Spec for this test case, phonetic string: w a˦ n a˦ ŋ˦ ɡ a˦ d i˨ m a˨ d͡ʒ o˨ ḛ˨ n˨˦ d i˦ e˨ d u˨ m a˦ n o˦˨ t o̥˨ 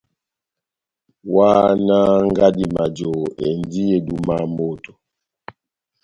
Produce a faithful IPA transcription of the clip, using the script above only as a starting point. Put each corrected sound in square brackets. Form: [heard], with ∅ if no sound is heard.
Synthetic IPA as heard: w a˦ n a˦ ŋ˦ ɡ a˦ d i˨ m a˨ d͡ʒ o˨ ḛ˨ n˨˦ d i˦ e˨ d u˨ m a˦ [m] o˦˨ t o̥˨